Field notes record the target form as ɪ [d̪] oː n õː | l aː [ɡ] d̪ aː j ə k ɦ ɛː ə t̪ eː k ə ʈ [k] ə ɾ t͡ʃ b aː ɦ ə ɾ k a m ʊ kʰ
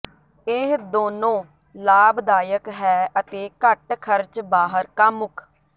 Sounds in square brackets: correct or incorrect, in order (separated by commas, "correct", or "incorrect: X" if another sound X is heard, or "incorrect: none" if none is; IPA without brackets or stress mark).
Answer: correct, incorrect: b, incorrect: kʰ